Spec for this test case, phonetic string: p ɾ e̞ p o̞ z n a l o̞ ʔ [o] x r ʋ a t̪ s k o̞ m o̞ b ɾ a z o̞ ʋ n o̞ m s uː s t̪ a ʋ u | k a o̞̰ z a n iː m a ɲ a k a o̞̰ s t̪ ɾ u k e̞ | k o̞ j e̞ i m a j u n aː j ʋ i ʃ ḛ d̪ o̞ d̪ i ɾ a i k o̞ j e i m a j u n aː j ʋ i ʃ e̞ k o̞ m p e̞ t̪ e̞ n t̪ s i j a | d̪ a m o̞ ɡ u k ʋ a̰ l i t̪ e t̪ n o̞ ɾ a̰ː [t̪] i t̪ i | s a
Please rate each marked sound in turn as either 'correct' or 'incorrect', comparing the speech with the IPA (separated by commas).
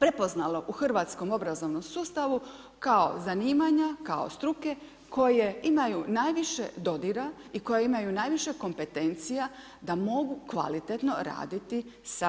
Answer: incorrect, incorrect